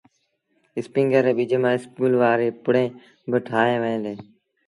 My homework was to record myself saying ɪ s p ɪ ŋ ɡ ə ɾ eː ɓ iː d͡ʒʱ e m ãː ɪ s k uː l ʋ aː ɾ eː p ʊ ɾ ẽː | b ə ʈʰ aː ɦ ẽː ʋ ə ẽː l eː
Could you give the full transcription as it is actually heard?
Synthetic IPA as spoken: ɪ s p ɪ ŋ ɡ ə ɾ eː ɓ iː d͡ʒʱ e m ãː ɪ s k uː l ʋ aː ɾ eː p ʊ ɽ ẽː | b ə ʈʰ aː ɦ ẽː ʋ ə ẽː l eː